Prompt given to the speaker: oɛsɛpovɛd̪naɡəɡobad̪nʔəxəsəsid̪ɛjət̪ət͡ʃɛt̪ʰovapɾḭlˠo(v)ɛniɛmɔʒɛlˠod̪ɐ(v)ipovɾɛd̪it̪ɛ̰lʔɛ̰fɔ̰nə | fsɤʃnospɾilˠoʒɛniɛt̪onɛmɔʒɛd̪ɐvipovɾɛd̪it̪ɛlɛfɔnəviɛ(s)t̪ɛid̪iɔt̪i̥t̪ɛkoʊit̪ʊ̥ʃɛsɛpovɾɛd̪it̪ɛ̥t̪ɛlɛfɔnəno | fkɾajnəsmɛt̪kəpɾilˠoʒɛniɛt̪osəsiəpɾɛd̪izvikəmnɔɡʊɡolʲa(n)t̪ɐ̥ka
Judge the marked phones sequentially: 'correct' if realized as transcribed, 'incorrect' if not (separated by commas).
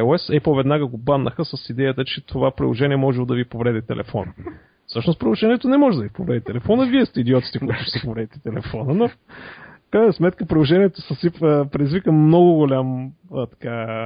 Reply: incorrect, correct, correct, incorrect